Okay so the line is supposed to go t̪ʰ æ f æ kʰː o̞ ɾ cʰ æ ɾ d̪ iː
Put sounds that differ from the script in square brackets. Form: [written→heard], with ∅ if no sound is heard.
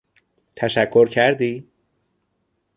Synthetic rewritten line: t̪ʰ æ [f→ʃ] æ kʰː o̞ ɾ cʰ æ ɾ d̪ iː